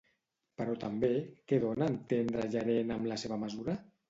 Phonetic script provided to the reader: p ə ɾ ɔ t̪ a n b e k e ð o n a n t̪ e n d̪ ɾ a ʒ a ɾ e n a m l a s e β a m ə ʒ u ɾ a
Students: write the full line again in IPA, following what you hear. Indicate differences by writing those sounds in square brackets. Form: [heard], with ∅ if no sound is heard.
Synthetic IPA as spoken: p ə ɾ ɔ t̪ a [m] b e k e ð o n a n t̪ e n d̪ ɾ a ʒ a ɾ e n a m l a s e β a m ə [z] u ɾ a

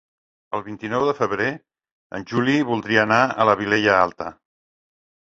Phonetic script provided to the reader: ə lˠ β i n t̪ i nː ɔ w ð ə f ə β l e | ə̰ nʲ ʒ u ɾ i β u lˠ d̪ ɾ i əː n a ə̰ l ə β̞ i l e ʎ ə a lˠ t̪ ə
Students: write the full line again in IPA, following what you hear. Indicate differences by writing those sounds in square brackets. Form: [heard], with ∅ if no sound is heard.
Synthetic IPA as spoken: ə lˠ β i n t̪ i [n] ɔ w ð ə f ə β [ɾ] e | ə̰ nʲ ʒ u [l] i β u lˠ d̪ ɾ i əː n a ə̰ l ə β̞ i l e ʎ ə a lˠ t̪ ə

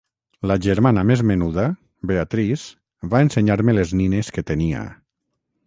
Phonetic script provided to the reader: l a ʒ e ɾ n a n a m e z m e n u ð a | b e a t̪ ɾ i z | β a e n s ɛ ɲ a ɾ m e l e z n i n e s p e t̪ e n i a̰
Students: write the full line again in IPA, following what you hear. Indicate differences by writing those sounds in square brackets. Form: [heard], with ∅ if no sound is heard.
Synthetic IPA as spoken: l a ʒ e ɾ [m] a n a m e z m e n u ð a | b e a t̪ ɾ i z | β a e n s [e] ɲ a ɾ m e l e z n i n e s [k] e t̪ e n i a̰

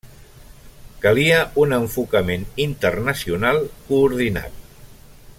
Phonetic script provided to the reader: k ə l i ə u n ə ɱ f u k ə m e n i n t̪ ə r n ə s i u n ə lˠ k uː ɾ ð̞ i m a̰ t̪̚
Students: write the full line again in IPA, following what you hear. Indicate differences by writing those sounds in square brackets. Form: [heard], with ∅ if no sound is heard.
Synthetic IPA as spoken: k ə l i ə u n ə ɱ f u k ə m e n i n t̪ ə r n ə s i u n [a] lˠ k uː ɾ ð̞ i [n] a̰ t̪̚

